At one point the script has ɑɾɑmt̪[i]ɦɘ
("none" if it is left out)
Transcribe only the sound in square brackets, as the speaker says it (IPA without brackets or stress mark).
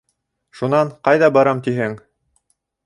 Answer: i